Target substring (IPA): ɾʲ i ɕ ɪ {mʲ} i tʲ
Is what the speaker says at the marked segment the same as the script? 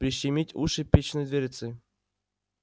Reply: yes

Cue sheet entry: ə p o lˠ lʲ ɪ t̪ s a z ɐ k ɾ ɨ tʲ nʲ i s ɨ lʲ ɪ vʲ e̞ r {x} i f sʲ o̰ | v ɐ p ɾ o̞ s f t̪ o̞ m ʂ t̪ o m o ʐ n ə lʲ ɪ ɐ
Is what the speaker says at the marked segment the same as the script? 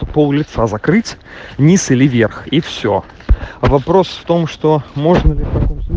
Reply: yes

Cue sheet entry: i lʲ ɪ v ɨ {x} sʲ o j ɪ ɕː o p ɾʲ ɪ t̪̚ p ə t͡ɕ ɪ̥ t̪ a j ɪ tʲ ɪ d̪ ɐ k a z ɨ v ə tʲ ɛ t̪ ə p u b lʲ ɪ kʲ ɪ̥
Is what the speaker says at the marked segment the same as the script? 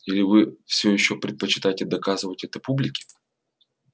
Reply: no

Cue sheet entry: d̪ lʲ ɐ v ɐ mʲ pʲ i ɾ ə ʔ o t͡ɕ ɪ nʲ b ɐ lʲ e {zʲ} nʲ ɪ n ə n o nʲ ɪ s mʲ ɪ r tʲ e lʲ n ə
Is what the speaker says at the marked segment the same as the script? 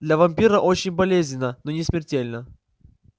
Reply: yes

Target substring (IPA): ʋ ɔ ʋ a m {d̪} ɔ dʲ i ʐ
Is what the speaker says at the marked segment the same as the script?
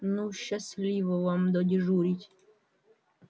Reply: yes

